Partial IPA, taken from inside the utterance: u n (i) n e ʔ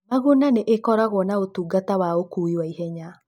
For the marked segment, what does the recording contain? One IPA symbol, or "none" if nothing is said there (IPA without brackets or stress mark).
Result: a